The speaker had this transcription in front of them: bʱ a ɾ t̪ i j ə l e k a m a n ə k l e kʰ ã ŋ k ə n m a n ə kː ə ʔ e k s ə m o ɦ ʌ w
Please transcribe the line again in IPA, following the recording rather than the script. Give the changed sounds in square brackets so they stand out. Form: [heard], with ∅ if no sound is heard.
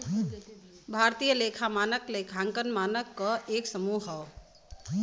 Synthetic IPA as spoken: bʱ a ɾ t̪ i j ə l e [kʰ] a m a n ə k l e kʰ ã ŋ k ə n m a n ə kː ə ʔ e k s ə m [u] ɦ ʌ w